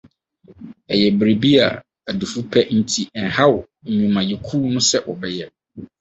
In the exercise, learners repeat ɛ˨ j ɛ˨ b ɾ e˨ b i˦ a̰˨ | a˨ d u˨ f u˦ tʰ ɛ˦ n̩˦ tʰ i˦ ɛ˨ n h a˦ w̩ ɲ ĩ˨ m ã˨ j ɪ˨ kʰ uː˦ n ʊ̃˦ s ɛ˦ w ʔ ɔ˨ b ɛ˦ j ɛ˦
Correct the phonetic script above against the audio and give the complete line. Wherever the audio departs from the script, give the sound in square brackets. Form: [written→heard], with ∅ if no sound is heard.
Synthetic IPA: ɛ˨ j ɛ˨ b ɾ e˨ b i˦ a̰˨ | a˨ d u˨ f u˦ [tʰ→pʰ] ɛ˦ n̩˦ tʰ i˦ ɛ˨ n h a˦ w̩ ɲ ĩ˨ m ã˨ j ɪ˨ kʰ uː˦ n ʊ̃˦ s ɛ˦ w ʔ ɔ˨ b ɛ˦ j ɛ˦